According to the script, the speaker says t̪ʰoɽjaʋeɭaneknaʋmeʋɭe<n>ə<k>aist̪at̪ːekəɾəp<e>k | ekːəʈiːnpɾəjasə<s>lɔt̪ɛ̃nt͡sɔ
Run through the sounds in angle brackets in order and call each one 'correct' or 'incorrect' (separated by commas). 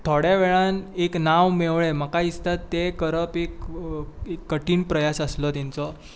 incorrect, correct, correct, correct